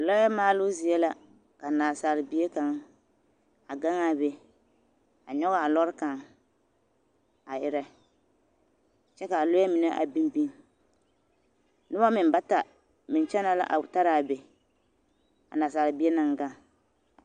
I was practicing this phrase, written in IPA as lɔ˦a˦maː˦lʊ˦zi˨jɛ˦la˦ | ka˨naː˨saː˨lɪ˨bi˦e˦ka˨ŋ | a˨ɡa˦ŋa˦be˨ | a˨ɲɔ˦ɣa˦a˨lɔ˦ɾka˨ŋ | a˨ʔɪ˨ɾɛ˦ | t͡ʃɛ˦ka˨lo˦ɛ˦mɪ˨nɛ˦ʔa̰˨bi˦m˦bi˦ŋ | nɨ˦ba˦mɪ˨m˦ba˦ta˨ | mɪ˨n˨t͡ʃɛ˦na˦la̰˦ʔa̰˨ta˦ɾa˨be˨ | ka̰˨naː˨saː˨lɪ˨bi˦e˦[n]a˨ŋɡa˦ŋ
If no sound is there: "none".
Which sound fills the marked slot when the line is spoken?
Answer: n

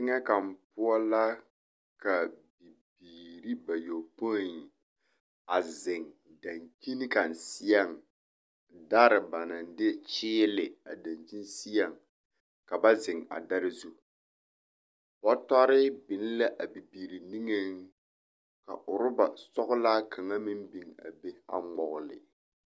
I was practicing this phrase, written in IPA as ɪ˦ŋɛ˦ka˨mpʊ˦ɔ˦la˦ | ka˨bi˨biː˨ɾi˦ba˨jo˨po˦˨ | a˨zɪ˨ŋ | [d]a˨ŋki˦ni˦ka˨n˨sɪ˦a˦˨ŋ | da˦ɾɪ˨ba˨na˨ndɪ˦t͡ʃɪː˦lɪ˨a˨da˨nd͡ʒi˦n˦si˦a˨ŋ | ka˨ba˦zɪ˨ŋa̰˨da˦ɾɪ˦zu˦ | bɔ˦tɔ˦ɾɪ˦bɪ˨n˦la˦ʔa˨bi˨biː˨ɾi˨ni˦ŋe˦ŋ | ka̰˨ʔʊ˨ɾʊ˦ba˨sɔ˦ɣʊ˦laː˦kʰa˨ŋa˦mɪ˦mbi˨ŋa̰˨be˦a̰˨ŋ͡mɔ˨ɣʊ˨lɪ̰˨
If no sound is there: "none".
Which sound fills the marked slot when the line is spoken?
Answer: d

